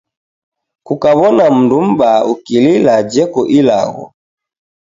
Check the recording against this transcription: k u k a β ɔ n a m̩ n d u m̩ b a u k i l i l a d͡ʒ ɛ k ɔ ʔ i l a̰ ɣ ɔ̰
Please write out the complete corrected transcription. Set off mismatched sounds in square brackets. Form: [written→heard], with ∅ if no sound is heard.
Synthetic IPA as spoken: k u k a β ɔ n a m̩ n d u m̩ b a u k i l i l a d͡ʒ ɛ k ɔ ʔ i l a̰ ɣ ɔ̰